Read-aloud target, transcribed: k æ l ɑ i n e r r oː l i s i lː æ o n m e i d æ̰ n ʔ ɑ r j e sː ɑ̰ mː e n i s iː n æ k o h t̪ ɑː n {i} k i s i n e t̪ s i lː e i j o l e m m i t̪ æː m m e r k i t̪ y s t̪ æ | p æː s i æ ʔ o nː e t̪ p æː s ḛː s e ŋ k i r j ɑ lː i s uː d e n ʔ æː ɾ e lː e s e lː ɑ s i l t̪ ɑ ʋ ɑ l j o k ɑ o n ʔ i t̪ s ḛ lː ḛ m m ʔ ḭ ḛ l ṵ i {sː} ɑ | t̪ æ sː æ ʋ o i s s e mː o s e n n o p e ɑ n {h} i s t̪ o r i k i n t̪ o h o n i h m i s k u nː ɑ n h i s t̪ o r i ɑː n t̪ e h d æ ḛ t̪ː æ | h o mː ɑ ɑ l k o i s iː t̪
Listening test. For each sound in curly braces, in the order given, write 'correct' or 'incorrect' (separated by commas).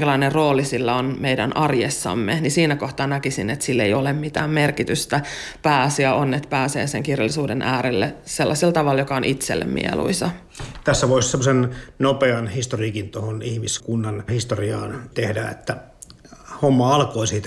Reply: incorrect, incorrect, correct